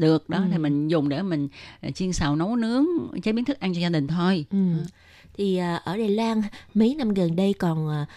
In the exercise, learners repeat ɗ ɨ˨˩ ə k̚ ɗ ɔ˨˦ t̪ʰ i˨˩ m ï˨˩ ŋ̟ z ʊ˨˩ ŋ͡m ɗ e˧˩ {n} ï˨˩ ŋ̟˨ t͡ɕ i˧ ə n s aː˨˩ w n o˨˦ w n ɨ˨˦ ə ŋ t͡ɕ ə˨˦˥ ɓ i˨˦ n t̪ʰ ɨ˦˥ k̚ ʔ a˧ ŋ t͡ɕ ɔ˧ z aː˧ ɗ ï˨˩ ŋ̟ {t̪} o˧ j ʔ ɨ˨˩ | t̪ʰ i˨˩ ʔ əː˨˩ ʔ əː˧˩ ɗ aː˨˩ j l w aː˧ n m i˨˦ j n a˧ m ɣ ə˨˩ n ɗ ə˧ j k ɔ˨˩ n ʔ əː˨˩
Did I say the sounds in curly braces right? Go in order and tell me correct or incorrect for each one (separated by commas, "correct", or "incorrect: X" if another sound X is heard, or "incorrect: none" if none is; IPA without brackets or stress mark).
incorrect: m, incorrect: t̪ʰ